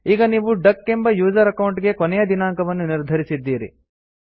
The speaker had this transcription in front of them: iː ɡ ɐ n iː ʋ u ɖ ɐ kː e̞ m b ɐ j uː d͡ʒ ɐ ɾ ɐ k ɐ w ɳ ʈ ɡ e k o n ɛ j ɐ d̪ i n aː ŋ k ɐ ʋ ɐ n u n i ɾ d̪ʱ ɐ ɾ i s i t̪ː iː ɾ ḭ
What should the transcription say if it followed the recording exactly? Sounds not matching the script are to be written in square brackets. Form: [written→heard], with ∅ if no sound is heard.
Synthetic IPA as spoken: iː ɡ ɐ n iː ʋ u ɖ ɐ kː e̞ m b ɐ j uː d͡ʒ ɐ ɾ ɐ k ɐ w ɳ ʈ ɡ e k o n ɛ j ɐ d̪ i n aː ŋ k ɐ ʋ ɐ [n→nː] u n i ɾ d̪ʱ ɐ ɾ i s i [t̪ː→d̪ː] iː ɾ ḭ